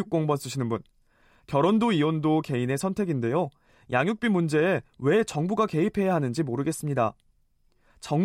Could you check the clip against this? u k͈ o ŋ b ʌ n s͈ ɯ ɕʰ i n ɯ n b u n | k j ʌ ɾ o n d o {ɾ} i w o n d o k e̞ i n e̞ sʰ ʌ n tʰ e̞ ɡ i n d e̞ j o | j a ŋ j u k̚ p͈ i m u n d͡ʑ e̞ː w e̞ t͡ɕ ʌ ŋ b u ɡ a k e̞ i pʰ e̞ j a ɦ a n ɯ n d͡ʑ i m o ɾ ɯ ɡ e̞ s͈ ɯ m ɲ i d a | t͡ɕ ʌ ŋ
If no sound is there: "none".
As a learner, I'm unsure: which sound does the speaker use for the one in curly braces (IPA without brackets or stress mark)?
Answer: none